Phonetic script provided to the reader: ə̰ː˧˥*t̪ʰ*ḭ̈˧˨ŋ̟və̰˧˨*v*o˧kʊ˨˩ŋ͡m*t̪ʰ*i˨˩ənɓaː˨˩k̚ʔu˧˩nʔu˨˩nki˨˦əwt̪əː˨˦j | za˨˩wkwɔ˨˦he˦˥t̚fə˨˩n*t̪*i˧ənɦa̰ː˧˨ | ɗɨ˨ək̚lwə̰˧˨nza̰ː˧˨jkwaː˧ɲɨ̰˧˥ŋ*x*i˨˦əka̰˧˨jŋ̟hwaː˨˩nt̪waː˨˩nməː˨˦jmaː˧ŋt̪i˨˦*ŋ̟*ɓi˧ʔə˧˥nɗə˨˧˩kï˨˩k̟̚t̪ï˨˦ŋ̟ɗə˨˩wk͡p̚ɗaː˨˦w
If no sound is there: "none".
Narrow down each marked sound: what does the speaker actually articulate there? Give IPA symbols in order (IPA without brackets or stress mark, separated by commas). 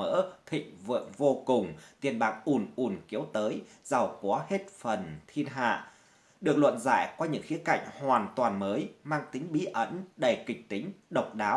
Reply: t̪ʰ, v, t̪, t̪ʰ, x, ŋ̟